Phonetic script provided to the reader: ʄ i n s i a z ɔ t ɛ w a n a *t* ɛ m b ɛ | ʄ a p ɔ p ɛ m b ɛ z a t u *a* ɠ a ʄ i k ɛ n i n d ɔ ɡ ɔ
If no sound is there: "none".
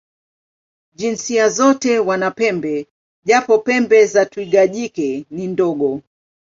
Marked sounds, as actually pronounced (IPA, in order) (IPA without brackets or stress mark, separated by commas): p, i